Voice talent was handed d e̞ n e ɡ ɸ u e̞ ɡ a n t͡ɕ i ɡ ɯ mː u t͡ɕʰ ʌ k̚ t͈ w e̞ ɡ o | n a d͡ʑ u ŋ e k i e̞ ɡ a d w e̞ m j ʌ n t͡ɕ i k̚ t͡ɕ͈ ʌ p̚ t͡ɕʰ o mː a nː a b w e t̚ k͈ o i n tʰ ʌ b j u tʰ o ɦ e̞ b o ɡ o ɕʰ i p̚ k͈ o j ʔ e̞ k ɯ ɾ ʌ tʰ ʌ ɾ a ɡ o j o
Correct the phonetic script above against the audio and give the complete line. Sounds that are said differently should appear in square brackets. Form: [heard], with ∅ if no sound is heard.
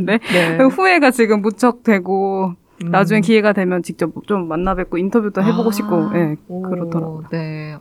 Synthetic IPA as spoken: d e̞ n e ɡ ɸ u e̞ ɡ a [∅] t͡ɕ i ɡ ɯ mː u t͡ɕʰ ʌ k̚ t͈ w e̞ ɡ o | n a d͡ʑ u ŋ e k i e̞ ɡ a d w e̞ m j ʌ n t͡ɕ i k̚ t͡ɕ͈ ʌ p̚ [t͡ɕ] o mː a nː a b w e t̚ k͈ o i n tʰ ʌ b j u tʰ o ɦ e̞ b o ɡ o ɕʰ i p̚ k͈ o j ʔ e̞ k ɯ ɾ ʌ tʰ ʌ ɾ a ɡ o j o